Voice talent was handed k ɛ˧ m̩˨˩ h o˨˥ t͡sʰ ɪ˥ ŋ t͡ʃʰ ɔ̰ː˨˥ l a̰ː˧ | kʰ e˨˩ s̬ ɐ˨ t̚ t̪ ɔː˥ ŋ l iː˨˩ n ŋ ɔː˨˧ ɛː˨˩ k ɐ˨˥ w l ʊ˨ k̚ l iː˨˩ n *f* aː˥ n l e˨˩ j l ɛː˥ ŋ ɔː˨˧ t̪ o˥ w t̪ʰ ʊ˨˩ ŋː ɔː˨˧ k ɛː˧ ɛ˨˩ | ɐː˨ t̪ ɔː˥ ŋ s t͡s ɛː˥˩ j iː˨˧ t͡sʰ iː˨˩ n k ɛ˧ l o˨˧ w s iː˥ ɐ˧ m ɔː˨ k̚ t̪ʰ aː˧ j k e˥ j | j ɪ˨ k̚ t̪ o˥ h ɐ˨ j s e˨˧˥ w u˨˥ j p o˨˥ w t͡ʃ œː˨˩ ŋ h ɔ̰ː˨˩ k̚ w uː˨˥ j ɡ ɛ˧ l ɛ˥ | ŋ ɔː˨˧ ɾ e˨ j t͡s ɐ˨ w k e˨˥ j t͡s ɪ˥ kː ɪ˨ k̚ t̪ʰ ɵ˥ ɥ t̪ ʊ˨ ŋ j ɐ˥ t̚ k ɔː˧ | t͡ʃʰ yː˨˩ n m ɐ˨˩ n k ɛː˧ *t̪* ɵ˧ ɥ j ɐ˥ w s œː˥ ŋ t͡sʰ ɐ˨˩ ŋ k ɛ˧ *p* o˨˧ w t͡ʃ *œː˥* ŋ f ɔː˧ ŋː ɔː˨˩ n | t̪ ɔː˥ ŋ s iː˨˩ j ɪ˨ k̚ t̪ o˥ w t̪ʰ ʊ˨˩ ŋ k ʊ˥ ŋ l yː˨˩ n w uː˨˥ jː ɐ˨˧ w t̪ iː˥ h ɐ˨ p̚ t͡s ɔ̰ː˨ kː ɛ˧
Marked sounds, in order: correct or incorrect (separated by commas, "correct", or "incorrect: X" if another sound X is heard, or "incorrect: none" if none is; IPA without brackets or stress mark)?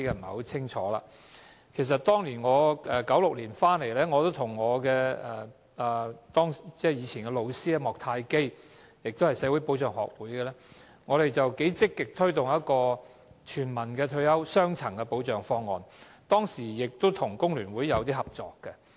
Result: correct, incorrect: t̪ʰ, correct, incorrect: œː˨˩